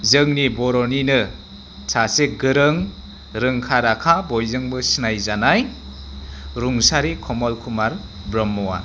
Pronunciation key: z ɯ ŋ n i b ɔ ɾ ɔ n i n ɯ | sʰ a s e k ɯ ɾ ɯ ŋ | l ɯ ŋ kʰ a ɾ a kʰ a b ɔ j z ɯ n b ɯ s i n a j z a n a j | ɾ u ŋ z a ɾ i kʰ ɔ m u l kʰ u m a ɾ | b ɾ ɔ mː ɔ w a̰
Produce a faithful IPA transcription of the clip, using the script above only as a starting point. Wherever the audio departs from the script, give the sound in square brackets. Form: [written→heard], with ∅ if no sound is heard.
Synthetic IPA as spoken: z ɯ ŋ n i b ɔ ɾ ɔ n i n ɯ | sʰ a s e [k→ɡ] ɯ ɾ ɯ ŋ | [l→ɾ] ɯ ŋ kʰ a ɾ a kʰ a b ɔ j z ɯ [n→ŋ] b ɯ s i n a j z a n a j | ɾ u ŋ [z→s] a ɾ i kʰ ɔ m [u→ɔ] l kʰ u m a ɾ | b ɾ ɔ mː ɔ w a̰